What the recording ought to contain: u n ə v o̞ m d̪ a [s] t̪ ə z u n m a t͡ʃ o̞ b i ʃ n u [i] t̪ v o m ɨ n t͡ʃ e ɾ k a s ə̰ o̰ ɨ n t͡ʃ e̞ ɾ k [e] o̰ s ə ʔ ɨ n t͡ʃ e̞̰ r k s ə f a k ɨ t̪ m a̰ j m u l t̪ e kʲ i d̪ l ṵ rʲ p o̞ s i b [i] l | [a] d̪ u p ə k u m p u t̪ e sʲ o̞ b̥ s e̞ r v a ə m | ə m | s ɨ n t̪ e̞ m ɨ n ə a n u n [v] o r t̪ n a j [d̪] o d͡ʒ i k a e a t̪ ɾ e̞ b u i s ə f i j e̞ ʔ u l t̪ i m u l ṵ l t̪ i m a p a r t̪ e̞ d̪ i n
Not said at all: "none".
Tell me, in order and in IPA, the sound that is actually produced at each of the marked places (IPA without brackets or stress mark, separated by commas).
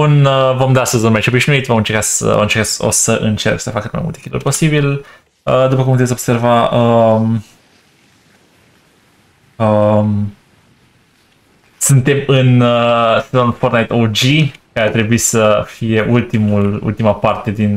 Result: s, i, a, i, ə, f, t̪